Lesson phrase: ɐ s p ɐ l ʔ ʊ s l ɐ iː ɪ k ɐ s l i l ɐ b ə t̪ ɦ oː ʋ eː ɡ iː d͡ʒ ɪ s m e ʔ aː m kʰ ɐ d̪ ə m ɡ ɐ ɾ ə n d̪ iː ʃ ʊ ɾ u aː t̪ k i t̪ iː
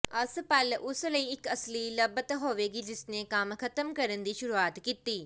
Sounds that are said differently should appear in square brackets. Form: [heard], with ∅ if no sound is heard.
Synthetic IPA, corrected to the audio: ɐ s p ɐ l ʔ ʊ s l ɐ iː ɪ k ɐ s l i l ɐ b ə t̪ ɦ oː ʋ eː ɡ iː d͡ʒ ɪ s [n] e [k] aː m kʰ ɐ [t̪] ə m [k] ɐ ɾ ə n d̪ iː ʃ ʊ ɾ u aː t̪ k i t̪ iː